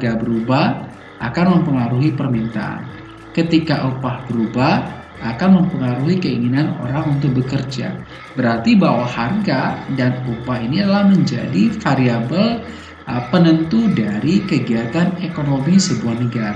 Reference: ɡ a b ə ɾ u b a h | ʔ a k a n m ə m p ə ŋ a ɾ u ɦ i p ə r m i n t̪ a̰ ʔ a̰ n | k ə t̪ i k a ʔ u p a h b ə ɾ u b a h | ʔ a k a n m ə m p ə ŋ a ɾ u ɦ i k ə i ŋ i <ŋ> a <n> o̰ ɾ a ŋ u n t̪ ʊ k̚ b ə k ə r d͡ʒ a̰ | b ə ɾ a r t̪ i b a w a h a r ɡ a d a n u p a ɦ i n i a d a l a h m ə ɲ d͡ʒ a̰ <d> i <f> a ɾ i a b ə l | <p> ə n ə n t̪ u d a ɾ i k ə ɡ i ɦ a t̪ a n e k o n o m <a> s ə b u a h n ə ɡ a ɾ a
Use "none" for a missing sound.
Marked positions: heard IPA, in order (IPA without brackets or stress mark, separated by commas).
n, n, d, f, p, i